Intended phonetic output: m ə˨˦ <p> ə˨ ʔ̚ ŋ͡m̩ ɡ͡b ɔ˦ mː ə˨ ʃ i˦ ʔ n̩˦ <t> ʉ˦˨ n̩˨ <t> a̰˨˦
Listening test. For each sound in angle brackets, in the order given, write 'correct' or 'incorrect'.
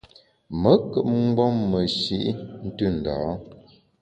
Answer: incorrect: k, correct, incorrect: d

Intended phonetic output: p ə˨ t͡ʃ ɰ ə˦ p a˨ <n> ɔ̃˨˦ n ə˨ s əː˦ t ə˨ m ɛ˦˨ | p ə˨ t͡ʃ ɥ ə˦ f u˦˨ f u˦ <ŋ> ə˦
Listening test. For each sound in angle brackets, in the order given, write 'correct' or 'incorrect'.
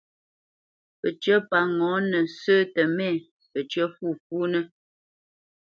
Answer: incorrect: ŋ, incorrect: n

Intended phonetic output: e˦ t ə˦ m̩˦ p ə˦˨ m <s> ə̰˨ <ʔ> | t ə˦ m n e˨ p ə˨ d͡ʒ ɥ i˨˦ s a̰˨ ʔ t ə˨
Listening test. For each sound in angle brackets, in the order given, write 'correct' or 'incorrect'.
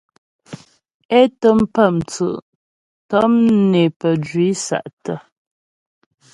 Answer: incorrect: t͡s, correct

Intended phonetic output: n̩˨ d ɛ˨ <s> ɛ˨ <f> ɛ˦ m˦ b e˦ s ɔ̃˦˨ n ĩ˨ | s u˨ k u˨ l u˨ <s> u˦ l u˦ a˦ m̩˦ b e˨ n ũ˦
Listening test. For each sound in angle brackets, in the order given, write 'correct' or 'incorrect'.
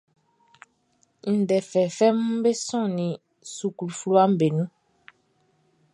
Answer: incorrect: f, correct, incorrect: f

